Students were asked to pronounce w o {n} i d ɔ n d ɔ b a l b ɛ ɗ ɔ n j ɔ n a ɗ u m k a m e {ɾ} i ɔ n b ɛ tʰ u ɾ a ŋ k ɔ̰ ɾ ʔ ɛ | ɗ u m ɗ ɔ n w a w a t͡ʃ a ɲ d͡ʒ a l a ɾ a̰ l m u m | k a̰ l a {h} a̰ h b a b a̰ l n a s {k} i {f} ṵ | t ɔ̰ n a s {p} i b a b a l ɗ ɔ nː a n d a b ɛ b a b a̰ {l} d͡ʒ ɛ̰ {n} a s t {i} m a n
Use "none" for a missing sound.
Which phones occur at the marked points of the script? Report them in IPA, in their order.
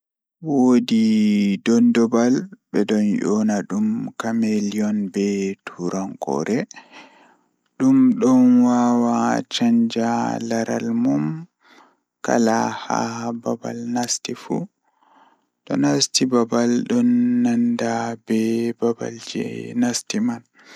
d, l, h, t, f, t, l, n, i

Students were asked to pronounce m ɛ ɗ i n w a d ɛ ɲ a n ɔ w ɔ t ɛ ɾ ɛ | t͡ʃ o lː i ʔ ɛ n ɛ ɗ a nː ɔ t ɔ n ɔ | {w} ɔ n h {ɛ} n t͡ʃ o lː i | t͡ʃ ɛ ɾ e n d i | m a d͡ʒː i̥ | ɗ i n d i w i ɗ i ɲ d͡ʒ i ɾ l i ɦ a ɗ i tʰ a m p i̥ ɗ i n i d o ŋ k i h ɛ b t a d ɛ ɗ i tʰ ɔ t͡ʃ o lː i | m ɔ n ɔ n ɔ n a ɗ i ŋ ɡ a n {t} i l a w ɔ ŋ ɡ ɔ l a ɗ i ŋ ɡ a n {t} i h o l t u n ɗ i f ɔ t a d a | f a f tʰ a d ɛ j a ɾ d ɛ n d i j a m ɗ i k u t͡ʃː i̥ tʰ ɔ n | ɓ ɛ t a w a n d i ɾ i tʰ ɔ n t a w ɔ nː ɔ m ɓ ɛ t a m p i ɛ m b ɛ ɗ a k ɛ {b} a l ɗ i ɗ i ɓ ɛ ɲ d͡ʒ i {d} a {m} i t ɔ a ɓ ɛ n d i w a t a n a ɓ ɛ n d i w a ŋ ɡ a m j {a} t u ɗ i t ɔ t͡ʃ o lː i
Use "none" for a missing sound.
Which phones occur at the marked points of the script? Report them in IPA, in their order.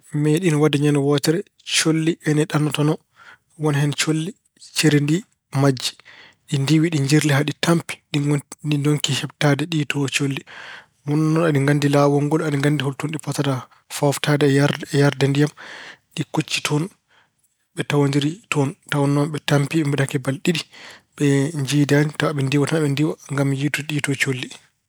w, ɛ, d, d, b, d, n, i

